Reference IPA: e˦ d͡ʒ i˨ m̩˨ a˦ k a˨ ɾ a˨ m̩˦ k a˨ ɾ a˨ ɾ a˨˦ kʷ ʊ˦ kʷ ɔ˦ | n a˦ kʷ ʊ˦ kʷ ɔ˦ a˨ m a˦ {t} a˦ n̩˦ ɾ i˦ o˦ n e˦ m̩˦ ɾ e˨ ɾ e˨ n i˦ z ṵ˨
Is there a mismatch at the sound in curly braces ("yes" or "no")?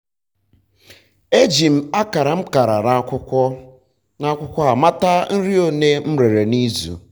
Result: no